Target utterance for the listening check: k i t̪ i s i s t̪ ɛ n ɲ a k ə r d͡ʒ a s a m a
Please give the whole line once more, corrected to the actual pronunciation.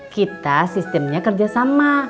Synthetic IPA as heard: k i t̪ a s i s t̪ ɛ m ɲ a k ə r d͡ʒ a s a m a